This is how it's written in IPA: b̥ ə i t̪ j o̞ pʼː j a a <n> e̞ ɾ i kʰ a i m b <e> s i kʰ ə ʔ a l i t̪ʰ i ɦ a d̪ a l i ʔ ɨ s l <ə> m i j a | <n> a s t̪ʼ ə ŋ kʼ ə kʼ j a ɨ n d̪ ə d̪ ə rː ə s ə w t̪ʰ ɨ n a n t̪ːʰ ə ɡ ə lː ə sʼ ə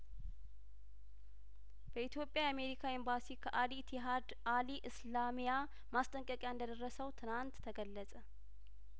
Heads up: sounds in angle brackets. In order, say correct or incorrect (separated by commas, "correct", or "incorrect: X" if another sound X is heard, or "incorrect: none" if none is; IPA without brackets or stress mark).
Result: incorrect: m, incorrect: a, incorrect: a, incorrect: m